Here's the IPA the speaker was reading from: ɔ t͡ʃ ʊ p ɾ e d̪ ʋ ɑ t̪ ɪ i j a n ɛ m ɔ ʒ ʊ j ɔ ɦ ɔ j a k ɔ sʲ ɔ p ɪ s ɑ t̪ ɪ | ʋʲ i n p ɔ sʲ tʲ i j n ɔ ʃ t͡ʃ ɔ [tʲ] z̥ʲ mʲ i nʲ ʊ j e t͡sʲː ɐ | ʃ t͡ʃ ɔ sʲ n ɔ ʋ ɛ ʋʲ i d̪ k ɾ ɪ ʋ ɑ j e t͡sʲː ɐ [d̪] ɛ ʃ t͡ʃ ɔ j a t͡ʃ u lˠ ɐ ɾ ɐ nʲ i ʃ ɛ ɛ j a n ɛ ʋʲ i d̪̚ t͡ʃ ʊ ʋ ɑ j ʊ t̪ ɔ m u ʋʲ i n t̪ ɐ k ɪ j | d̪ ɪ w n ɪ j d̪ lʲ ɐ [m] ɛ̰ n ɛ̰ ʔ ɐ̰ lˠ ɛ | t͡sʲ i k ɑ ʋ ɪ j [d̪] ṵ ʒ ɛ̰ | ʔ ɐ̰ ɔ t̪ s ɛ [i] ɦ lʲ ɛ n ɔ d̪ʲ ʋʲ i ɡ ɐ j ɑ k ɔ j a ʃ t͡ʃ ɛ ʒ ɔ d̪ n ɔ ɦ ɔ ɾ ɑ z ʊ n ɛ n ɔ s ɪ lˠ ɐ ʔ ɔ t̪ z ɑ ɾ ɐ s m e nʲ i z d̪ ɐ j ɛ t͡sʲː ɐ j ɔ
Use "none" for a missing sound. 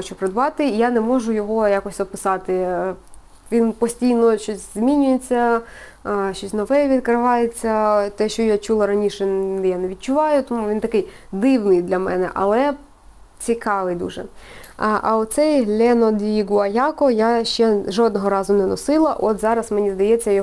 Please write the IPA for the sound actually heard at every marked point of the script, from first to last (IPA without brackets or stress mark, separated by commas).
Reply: sʲ, t̪, m, d̪, j